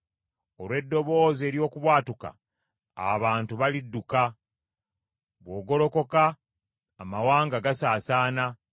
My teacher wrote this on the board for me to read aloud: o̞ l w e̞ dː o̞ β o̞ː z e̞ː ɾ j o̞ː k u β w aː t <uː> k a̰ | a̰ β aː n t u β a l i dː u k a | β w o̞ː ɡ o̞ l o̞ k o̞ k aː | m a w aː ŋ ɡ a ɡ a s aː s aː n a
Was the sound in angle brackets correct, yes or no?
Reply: no